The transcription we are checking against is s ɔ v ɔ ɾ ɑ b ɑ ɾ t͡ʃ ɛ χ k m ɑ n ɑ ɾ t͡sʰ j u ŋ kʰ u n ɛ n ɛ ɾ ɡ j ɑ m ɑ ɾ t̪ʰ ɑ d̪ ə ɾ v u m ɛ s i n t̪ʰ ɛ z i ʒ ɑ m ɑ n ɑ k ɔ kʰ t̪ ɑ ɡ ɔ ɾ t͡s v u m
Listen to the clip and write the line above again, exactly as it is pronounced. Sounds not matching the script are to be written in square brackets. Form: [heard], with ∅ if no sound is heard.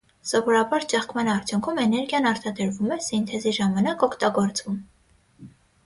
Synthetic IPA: s ɔ v ɔ ɾ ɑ b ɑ ɾ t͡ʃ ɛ χ k m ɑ n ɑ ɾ t͡sʰ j u ŋ kʰ u [m] ɛ n ɛ ɾ ɡ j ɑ [n] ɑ ɾ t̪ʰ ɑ d̪ ə ɾ v u m ɛ s i n t̪ʰ ɛ z i ʒ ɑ m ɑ n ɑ k ɔ kʰ t̪ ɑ ɡ ɔ ɾ t͡s v u m